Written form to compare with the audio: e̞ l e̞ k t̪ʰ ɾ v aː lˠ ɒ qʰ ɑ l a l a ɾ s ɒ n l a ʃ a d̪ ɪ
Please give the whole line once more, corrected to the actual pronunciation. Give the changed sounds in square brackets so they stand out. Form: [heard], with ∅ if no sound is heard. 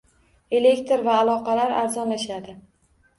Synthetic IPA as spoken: e̞ l e̞ k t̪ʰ ɾ v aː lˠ ɒ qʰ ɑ l a [ɾ] a ɾ [z] ɒ n l a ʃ a d̪ ɪ

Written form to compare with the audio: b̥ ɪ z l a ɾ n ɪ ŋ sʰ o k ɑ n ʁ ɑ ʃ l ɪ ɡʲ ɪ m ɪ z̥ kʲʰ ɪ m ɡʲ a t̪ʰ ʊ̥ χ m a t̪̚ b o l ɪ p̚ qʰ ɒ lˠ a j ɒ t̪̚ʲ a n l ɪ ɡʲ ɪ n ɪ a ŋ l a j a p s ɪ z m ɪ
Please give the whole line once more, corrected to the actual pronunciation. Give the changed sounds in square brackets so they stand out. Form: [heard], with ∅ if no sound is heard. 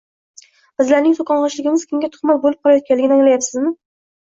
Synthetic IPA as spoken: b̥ ɪ z l a ɾ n ɪ ŋ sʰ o k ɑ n ʁ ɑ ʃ l ɪ ɡʲ ɪ m ɪ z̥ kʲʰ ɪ m ɡʲ a t̪ʰ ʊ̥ χ m a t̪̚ b o l ɪ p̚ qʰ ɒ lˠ a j ɒ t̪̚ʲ a n l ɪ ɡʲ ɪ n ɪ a ŋ l a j a p s ɪ z m ɪ

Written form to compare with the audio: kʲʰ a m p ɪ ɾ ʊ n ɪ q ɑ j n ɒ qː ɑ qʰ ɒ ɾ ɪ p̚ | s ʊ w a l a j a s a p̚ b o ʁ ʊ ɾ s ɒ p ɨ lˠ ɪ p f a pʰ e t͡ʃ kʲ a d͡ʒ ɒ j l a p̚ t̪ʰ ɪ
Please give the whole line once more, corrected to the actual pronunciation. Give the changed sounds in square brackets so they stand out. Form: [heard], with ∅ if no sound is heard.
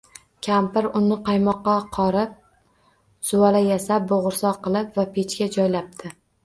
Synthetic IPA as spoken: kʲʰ a m p ɪ ɾ ʊ n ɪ q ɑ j [m] ɒ qː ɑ qʰ ɒ ɾ ɪ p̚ | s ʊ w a l a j a s a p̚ b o ʁ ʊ ɾ s ɒ [q] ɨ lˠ ɪ p [v] a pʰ e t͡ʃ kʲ a d͡ʒ ɒ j l a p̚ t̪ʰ ɪ

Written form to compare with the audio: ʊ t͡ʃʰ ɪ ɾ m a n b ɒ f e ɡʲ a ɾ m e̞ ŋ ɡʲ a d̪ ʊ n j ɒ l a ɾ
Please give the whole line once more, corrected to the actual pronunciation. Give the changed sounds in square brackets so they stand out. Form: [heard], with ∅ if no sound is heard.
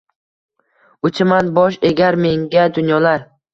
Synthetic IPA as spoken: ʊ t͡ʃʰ ɪ [∅] m a n b ɒ [ʃ] e ɡʲ a ɾ m e̞ ŋ ɡʲ a d̪ ʊ n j ɒ l a ɾ

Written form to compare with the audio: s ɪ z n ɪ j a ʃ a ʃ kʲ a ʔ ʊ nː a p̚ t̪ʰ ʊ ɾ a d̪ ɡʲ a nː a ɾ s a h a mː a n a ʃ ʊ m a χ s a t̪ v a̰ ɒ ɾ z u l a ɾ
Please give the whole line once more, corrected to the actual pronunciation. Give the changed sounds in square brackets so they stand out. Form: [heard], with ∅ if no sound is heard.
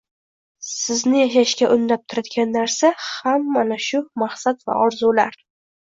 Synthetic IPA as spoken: s ɪ z n ɪ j a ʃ a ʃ kʲ a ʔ ʊ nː a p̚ t̪ʰ ʊ ɾ a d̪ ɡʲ a nː a ɾ s a h a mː a n a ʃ ʊ m a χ s a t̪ v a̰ ɒ ɾ z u l a ɾ

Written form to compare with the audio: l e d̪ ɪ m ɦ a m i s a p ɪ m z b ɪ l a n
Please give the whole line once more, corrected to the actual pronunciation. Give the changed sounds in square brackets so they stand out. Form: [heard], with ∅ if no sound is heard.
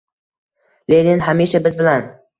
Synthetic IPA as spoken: l e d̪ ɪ [n] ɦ a m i [ʃ] a [b] ɪ [∅] z b ɪ l a n

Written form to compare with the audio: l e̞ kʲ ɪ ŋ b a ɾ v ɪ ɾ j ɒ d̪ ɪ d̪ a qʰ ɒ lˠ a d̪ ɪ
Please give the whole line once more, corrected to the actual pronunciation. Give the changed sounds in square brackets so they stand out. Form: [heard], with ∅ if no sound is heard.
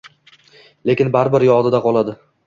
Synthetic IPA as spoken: l e̞ kʲ ɪ [n] b a ɾ [b] ɪ ɾ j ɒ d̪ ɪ d̪ a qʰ ɒ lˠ a d̪ ɪ

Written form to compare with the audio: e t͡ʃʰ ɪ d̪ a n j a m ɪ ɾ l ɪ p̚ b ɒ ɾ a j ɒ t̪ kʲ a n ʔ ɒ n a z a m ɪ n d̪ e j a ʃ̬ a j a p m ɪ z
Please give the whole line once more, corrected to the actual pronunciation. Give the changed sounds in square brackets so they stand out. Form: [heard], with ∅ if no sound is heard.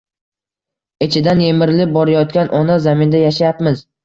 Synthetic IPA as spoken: e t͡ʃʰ ɪ d̪ a n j [e] m ɪ ɾ l ɪ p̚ b ɒ ɾ a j ɒ t̪ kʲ a n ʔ ɒ n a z a m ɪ n d̪ [a] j a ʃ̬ a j a p m ɪ z

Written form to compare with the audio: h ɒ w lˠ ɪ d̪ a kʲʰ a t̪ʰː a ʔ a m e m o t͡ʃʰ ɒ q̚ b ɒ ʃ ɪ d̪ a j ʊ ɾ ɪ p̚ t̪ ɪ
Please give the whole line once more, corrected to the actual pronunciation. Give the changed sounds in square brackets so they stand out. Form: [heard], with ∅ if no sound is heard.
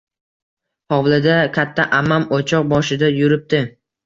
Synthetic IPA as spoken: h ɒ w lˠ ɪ d̪ a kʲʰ a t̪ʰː a ʔ a m [a] m o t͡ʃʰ ɒ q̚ b ɒ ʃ ɪ d̪ a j ʊ ɾ ɪ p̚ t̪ ɪ

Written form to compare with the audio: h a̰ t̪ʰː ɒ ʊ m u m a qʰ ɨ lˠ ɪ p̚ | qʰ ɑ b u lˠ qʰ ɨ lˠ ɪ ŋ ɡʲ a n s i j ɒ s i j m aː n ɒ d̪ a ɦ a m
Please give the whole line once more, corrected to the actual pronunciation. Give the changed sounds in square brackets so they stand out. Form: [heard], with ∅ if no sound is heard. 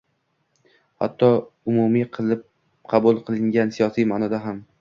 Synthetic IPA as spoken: h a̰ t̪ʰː ɒ ʊ m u m [i] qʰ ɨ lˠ ɪ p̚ | qʰ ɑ b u lˠ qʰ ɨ lˠ ɪ ŋ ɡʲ a n s i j ɒ s i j m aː n ɒ d̪ a ɦ a m

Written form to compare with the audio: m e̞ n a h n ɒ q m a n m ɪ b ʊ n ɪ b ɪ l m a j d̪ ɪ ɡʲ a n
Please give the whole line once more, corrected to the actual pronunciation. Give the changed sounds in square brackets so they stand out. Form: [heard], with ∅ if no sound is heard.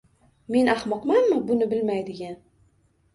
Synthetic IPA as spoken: m e̞ n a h [m] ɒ q m a n m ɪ b ʊ n ɪ b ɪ l m a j d̪ ɪ ɡʲ a n

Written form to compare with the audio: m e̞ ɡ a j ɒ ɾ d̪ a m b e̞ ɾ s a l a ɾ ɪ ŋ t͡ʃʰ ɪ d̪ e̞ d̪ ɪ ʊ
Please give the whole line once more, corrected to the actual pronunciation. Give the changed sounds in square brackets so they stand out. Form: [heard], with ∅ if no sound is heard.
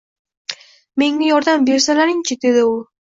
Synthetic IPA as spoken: m e̞ [ŋ] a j ɒ ɾ d̪ a m b e̞ ɾ s a l a ɾ ɪ ŋ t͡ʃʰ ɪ d̪ e̞ d̪ ɪ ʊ

